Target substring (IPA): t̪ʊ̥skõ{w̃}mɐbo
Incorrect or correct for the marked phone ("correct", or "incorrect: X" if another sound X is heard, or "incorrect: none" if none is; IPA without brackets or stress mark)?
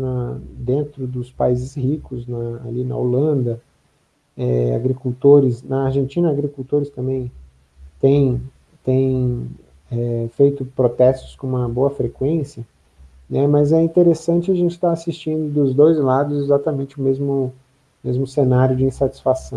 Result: incorrect: ũ